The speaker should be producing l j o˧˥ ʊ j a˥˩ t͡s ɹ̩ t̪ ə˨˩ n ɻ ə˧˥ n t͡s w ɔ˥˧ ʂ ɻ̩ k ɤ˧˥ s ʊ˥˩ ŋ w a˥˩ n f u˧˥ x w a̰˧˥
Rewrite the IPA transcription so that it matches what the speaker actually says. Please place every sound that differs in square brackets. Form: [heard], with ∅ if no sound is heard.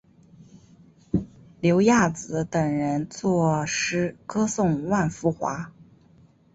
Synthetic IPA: l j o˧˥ ʊ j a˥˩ t͡s ɹ̩ t̪ ə˨˩ [ŋ] ɻ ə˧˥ n t͡s w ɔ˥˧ ʂ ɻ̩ k [ɤ˥] s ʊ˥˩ ŋ w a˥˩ n f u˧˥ x w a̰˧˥